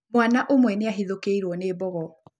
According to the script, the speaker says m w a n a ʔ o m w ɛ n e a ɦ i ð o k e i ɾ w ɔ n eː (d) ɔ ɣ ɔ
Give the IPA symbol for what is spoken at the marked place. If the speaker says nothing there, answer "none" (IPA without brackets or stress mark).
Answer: b